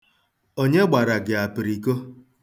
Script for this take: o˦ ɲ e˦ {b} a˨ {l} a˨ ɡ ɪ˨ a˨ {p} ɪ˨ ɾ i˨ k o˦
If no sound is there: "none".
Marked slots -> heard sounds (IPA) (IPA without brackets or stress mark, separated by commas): ɡ͡b, ɾ, p